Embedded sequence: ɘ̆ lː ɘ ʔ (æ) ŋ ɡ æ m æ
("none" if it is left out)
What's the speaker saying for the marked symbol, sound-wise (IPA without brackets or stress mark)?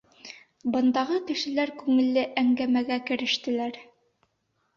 æ